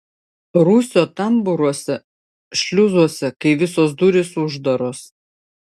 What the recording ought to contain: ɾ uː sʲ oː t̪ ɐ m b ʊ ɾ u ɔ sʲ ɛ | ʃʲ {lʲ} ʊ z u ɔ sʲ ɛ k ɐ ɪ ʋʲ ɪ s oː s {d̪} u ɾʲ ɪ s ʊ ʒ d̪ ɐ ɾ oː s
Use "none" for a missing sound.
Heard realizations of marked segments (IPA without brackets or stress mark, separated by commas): lʲ, d̪